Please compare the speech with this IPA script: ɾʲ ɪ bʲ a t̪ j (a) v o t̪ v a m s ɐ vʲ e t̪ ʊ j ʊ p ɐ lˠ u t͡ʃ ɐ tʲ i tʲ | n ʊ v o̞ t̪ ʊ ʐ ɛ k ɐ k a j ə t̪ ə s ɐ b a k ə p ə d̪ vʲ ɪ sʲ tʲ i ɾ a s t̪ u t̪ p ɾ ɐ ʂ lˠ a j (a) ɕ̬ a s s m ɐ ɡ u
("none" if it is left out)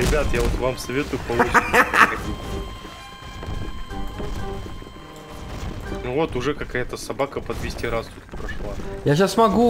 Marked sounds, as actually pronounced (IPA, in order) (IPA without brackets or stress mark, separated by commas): a, a